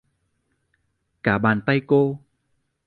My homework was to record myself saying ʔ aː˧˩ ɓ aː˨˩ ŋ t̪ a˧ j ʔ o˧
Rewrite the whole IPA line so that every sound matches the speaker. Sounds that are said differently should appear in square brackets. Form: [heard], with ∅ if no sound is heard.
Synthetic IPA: [k] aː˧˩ ɓ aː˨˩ [n] t̪ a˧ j [k] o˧